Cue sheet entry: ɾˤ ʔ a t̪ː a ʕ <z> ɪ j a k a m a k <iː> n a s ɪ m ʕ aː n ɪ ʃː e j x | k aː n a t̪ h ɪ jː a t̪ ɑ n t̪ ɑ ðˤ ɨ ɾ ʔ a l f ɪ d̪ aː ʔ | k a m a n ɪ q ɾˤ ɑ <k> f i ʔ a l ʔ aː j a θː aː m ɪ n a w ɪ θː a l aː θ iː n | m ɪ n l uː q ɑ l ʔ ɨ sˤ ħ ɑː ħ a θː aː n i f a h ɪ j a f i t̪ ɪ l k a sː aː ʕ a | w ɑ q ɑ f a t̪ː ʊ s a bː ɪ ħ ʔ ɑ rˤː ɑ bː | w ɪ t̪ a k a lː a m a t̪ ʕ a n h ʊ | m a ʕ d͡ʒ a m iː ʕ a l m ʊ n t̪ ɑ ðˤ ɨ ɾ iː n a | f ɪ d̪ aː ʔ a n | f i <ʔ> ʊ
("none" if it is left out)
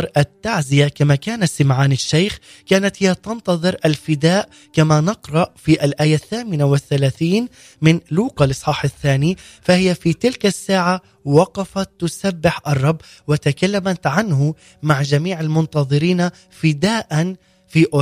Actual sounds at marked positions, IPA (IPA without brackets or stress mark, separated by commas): z, aː, ʔ, ʔ